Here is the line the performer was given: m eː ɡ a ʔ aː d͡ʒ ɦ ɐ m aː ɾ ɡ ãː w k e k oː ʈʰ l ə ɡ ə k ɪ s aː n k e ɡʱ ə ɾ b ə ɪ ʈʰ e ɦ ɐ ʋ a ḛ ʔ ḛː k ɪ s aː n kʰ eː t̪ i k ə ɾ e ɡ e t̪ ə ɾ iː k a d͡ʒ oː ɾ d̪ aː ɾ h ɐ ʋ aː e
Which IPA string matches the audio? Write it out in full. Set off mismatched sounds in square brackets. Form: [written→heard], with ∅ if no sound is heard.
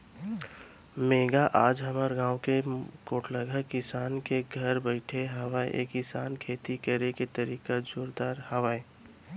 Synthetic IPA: m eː ɡ a ʔ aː d͡ʒ ɦ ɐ m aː ɾ ɡ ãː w k e k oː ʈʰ l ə ɡ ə k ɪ s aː n k e ɡʱ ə ɾ b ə ɪ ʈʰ e ɦ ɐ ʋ a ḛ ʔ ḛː k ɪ s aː n kʰ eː t̪ i k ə ɾ e [ɡ→k] e t̪ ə ɾ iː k a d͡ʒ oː ɾ d̪ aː ɾ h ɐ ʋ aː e